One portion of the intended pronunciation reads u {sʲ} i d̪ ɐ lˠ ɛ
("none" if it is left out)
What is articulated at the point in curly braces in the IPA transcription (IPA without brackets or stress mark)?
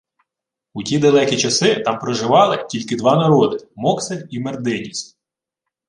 tʲ